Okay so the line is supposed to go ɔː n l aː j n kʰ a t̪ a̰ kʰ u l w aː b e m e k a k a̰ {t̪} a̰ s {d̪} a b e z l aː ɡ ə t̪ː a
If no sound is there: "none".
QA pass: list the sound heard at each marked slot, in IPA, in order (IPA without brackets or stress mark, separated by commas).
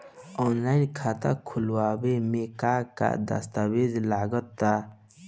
d̪, t̪